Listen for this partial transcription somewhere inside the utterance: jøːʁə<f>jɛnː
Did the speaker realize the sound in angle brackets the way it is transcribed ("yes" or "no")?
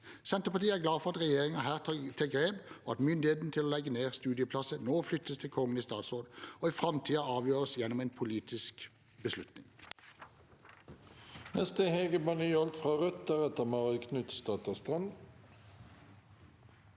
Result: no